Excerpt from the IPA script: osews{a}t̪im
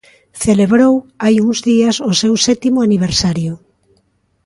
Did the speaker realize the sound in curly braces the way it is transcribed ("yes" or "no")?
no